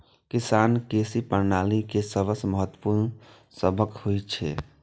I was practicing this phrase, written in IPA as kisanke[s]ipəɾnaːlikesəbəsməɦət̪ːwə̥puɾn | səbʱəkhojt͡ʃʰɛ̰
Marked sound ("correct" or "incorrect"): correct